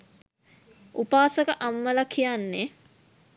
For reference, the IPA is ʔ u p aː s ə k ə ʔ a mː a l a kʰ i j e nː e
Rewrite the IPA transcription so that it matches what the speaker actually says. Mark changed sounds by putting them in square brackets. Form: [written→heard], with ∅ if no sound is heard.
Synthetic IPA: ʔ u p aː s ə k ə ʔ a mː [a→ə] l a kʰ i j [e→a] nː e